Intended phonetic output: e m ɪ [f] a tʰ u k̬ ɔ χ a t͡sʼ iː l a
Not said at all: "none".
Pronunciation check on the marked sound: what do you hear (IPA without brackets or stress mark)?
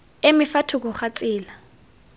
f